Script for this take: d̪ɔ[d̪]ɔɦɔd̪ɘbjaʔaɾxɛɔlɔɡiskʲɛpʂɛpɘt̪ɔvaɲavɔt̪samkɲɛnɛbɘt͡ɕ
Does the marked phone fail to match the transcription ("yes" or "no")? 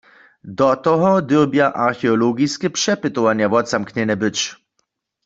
yes